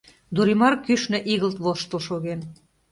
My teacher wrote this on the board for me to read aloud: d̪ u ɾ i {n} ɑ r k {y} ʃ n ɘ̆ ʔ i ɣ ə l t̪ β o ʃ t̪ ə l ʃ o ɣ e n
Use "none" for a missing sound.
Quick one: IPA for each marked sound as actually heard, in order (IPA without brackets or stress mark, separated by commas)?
m, y